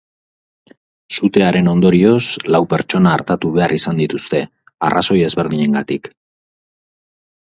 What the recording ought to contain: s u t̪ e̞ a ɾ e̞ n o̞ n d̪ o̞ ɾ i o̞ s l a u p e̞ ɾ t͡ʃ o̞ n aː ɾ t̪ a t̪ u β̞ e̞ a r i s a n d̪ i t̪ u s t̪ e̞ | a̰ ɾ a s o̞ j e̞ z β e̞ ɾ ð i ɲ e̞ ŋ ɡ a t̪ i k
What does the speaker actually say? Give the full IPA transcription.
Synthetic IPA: s u t̪ e̞ a ɾ e̞ n o̞ n d̪ o̞ ɾ i o̞ s l a w p e̞ ɾ t͡ʃ o̞ n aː ɾ t̪ a t̪ u β̞ e̞ a r i s a n d̪ i t̪ u s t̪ e̞ | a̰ r a s o̞ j e̞ z β e̞ ɾ ð i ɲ e̞ ŋ ɡ a t̪ i k